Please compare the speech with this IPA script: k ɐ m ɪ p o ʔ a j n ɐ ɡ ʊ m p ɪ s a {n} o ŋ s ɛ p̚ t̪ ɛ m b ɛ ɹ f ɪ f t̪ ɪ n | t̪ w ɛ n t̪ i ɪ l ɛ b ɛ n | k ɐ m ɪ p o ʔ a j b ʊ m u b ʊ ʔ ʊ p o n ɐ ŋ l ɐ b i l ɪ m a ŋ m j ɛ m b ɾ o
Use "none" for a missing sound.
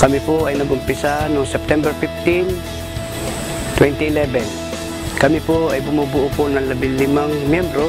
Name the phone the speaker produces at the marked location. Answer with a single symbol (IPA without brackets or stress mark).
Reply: n